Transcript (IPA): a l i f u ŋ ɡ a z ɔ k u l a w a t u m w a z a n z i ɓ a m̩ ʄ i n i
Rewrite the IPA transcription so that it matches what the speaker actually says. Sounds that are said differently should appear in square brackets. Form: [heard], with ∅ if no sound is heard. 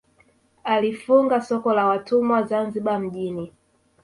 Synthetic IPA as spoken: a l i f u ŋ ɡ a [s] ɔ k [ɔ] l a w a t u m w a z a n z i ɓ a m̩ ʄ i n i